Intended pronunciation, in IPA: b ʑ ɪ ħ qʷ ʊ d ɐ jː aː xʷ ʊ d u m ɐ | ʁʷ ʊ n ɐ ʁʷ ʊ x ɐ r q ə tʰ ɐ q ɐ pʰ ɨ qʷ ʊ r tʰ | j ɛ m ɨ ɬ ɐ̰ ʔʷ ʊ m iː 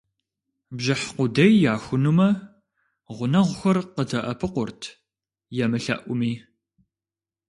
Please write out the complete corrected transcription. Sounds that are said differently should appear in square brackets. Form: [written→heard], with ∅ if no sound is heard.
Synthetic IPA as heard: b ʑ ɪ ħ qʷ ʊ d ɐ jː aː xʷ ʊ [d→n] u m ɐ | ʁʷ ʊ n ɐ ʁʷ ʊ x ɐ r q ə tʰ ɐ [q→ʔ] ɐ pʰ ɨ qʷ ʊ r tʰ | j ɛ m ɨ ɬ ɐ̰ ʔʷ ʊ m iː

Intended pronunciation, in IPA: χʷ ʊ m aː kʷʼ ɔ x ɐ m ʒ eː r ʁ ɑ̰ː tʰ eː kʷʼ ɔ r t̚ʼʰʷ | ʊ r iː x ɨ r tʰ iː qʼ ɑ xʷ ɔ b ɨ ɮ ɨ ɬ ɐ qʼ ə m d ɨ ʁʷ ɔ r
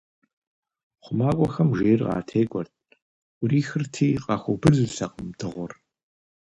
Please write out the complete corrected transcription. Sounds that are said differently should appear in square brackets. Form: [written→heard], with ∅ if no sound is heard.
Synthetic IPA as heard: χʷ ʊ m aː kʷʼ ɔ x ɐ m ʒ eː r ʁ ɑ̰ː tʰ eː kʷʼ ɔ r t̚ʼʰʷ | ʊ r iː x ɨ r tʰ iː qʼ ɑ xʷ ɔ b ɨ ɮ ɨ ɬ ɐ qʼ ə m d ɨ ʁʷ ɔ r

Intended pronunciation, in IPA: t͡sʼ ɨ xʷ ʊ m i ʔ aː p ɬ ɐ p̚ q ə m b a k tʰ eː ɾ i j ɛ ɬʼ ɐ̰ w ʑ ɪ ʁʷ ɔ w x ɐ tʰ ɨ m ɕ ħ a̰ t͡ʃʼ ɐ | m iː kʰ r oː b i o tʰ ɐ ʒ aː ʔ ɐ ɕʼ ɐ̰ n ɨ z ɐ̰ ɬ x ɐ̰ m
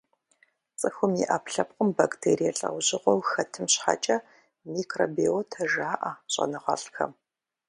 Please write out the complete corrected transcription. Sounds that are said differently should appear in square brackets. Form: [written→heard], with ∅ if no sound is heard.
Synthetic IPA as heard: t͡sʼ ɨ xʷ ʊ m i ʔ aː p ɬ ɐ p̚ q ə m b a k tʰ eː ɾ i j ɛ ɬʼ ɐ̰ w ʑ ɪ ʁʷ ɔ w x ɐ tʰ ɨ m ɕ ħ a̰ t͡ʃʼ ɐ | m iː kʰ r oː b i o tʰ ɐ ʒ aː ʔ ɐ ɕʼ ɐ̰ n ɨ [z→ʁ] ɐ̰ ɬ x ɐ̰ m

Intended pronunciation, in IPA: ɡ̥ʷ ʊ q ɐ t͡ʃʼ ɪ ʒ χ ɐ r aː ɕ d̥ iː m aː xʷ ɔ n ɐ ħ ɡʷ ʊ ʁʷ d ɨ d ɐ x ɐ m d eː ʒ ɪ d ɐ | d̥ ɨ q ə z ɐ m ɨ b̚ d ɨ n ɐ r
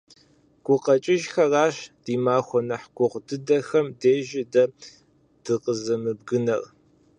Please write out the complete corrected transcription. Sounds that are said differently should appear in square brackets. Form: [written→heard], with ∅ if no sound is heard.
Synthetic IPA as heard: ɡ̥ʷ ʊ q ɐ t͡ʃʼ ɪ ʒ [χ→x] ɐ r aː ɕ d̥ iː m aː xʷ ɔ n ɐ ħ ɡʷ ʊ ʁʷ d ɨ d ɐ x ɐ m d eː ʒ ɪ d ɐ | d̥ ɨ q ə z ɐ m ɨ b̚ [d→ɡ] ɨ n ɐ r

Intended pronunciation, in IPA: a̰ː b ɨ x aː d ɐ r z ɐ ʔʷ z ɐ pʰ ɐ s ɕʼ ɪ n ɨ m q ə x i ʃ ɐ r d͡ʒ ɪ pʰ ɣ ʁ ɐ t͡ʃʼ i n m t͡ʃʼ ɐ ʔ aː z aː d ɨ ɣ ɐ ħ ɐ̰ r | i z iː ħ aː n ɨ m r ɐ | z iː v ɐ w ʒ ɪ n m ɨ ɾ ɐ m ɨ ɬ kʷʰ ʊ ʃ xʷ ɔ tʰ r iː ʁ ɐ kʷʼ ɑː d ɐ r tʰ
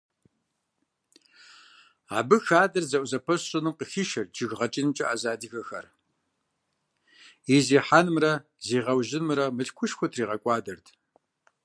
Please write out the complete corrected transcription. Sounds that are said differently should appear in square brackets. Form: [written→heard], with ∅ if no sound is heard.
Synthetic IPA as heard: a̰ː b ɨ x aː d ɐ r z ɐ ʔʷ z ɐ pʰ ɐ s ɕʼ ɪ n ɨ m q ə x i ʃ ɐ r d͡ʒ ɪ [pʰ→∅] ɣ ʁ ɐ t͡ʃʼ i n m t͡ʃʼ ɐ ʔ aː z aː d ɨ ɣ ɐ [ħ→x] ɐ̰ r | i z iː ħ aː n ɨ m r ɐ | z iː [v→ʁ] ɐ w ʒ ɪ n m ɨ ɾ ɐ m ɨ ɬ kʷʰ ʊ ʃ xʷ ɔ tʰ r iː ʁ ɐ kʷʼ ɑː d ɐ r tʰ

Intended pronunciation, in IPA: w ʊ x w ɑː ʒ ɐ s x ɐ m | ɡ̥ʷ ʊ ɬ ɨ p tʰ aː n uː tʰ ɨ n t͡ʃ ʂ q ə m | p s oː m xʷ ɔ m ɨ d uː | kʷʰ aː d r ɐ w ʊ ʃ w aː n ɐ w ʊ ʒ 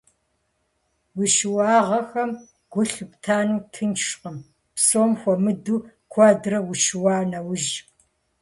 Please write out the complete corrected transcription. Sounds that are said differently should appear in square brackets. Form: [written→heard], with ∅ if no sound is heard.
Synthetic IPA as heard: w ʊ [x→ʃ] w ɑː [ʒ→ʁ] ɐ [s→∅] x ɐ m | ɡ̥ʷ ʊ ɬ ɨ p tʰ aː n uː tʰ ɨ n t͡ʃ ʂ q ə m | p s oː m xʷ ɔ m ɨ d uː | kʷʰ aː d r ɐ w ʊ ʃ w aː n ɐ w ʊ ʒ

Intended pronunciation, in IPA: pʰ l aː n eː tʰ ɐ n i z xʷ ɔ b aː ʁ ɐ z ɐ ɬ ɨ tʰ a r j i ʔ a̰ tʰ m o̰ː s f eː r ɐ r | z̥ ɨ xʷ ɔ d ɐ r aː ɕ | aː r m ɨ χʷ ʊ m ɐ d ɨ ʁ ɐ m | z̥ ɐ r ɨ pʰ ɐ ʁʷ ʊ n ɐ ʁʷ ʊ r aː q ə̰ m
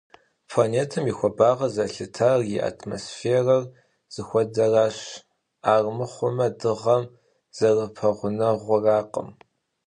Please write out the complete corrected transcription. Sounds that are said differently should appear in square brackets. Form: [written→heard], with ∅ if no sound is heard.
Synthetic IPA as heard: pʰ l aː n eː tʰ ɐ [n→m] i [z→∅] xʷ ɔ b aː ʁ ɐ z ɐ ɬ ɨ tʰ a r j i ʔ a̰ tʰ m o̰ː s f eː r ɐ r | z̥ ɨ xʷ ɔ d ɐ r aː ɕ | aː r m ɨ χʷ ʊ m ɐ d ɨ ʁ ɐ m | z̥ ɐ r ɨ pʰ ɐ ʁʷ ʊ n ɐ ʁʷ ʊ r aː q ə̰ m

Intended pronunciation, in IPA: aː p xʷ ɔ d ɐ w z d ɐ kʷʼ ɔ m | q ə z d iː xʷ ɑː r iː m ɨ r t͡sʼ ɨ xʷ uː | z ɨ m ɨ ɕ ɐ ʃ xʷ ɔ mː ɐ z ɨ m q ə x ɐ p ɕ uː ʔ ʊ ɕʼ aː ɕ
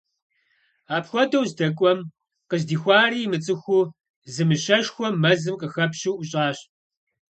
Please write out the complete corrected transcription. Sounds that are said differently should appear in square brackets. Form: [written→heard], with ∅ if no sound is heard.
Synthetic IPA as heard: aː p xʷ ɔ d ɐ w z d ɐ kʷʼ ɔ m | q ə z d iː xʷ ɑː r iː m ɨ [r→∅] t͡sʼ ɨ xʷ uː | z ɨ m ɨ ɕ ɐ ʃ xʷ ɔ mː ɐ z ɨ m q ə x ɐ p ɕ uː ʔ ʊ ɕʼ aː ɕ

